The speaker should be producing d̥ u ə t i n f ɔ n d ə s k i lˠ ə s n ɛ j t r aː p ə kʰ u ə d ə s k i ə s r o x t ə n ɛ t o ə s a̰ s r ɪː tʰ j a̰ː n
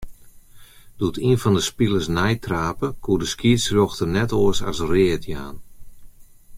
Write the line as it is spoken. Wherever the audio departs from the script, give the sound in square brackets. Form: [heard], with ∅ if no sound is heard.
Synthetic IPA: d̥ u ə t i n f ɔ n d ə s [p] i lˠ ə s n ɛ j t r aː p ə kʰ u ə d ə s k i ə s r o x t ə n ɛ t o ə s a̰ s r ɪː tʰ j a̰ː n